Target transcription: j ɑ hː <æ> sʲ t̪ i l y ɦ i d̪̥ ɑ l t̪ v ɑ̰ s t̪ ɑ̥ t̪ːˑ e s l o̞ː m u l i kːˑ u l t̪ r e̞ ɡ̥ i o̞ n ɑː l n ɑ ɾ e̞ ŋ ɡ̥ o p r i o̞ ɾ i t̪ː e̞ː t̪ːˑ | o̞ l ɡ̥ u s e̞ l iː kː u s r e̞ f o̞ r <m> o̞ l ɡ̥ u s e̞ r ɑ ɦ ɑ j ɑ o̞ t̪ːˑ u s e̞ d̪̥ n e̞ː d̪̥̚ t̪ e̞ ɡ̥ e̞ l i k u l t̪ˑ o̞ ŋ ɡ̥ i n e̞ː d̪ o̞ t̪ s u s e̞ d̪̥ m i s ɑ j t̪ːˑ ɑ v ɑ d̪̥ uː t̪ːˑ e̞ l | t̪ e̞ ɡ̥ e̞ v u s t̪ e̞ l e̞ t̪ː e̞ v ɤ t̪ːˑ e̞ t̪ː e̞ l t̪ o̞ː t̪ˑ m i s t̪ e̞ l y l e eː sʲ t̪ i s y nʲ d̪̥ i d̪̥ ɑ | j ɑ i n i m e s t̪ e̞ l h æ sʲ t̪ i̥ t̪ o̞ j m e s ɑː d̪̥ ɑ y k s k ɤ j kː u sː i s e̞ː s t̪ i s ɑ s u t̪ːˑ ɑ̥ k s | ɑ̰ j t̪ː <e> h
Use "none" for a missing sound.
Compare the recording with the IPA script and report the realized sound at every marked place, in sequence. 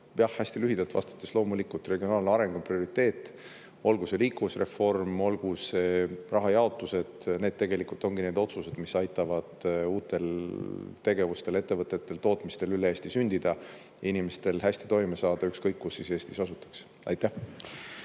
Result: æ, m, æ

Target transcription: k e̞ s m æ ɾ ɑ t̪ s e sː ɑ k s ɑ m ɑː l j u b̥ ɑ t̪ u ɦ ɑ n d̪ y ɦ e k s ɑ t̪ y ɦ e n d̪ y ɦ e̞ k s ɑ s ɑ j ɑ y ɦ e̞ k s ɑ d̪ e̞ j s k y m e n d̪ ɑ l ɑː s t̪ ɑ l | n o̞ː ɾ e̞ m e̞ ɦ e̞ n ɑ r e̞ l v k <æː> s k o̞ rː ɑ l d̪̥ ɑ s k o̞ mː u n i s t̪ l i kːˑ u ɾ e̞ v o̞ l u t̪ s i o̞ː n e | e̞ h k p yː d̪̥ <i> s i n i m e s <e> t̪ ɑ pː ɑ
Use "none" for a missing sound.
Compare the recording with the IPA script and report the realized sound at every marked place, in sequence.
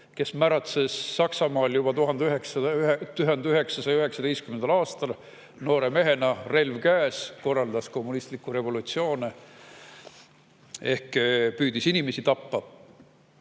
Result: æː, i, i

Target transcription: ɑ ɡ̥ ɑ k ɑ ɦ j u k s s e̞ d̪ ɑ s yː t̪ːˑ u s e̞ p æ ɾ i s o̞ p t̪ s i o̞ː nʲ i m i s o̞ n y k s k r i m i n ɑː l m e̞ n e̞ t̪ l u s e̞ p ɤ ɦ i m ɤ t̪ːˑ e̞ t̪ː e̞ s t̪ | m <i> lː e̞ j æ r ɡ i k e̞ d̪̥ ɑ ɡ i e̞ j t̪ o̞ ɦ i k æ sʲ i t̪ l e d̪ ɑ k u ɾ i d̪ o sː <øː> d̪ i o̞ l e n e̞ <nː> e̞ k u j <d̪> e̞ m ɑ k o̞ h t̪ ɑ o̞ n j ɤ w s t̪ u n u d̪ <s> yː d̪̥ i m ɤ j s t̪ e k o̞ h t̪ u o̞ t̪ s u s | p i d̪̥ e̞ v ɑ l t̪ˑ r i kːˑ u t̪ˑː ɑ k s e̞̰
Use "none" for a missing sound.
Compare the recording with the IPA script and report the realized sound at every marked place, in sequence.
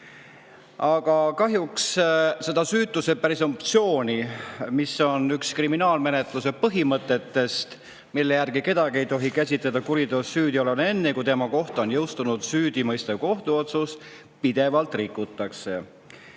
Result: i, yː, nː, t̪, s

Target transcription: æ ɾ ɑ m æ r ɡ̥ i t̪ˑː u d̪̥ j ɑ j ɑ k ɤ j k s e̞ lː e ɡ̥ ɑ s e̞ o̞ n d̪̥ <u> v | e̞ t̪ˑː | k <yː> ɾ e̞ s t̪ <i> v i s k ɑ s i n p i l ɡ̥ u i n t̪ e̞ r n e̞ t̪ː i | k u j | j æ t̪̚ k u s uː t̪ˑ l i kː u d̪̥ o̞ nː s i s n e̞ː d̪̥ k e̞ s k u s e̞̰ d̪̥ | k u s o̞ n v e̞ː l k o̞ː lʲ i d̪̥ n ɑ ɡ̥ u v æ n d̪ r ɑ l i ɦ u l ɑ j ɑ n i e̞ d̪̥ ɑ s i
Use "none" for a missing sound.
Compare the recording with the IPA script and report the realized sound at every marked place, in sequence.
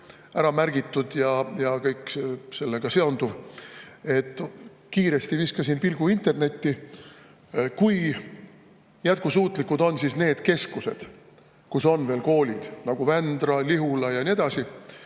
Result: u, iː, i

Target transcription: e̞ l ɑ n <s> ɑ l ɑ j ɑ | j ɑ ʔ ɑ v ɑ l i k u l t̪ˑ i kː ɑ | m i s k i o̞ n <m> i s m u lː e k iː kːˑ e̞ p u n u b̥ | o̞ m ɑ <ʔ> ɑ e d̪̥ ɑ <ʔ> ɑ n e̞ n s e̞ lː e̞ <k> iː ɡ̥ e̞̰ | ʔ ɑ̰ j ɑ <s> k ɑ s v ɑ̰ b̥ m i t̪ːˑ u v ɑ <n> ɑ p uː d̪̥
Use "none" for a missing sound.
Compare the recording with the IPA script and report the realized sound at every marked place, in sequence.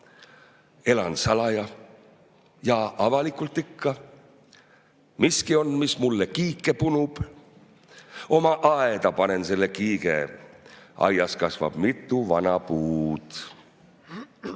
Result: s, m, ʔ, p, k, s, n

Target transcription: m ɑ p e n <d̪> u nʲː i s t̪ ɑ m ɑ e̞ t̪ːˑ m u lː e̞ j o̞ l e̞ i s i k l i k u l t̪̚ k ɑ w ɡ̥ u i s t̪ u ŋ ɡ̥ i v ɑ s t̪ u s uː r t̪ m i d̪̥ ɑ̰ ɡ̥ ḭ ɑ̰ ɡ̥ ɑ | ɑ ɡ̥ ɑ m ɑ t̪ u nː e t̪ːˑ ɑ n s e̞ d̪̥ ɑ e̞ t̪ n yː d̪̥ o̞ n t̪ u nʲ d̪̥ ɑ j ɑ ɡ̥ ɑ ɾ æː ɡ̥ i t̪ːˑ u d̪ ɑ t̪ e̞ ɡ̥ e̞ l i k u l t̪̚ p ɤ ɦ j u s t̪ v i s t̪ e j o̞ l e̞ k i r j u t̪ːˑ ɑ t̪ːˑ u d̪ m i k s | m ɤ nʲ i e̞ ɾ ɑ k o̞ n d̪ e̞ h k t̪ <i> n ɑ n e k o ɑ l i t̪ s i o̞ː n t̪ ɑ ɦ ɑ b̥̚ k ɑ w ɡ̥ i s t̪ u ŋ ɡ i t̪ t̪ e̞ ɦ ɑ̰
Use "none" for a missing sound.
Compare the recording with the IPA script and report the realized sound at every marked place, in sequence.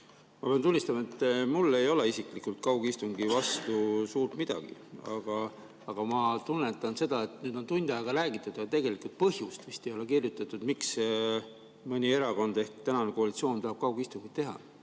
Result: t̪, æ

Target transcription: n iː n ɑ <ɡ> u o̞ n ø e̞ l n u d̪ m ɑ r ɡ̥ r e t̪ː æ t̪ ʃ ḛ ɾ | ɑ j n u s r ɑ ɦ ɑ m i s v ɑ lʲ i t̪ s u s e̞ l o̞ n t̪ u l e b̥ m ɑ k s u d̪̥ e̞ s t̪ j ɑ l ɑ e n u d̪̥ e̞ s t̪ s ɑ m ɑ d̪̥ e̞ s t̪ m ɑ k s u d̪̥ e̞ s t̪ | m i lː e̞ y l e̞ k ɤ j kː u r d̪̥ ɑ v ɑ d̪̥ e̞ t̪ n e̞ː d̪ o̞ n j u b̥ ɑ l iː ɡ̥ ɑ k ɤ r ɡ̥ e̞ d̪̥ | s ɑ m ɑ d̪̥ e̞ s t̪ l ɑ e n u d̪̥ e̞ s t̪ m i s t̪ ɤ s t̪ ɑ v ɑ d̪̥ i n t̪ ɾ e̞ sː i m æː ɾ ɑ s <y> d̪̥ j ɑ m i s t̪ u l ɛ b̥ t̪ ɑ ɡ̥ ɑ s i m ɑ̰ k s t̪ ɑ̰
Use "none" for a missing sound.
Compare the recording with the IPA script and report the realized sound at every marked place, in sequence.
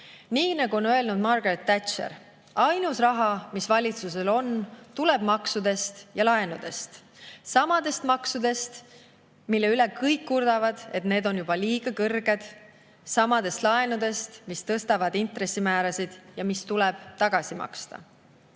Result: ɡ, i

